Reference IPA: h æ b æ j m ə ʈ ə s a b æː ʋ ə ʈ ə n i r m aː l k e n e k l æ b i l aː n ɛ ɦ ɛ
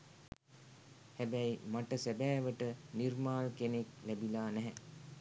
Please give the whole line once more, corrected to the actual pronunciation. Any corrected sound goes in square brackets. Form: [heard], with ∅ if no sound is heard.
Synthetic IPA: h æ b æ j m [a] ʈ ə s [æ] b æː ʋ ə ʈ ə n i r m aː l k e n e k l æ b i l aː n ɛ ɦ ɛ